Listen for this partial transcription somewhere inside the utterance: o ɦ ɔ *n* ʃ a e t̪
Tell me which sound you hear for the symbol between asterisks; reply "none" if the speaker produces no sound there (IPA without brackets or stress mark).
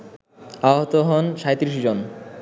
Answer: n